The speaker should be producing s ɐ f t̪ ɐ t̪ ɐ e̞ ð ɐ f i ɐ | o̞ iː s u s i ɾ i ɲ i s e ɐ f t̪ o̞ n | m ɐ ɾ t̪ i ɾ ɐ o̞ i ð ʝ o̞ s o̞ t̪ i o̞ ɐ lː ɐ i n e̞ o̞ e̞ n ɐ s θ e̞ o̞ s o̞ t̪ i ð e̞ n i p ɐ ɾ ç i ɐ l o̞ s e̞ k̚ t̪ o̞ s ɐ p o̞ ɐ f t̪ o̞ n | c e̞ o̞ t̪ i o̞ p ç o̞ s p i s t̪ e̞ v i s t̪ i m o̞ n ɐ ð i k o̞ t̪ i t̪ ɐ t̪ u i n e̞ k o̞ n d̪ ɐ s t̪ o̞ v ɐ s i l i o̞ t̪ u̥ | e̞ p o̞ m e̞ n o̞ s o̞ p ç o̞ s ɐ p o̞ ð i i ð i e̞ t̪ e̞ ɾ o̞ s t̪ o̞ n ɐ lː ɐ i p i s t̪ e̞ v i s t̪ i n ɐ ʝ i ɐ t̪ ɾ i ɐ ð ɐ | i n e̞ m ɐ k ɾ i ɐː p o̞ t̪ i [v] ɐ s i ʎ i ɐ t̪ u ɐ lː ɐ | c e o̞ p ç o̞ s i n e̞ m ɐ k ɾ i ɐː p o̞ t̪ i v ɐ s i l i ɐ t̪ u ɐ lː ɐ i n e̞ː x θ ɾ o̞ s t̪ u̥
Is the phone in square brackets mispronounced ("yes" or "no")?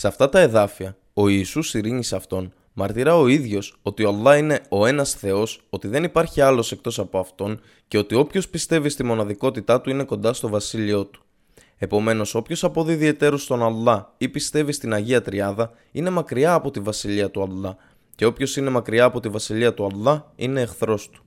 no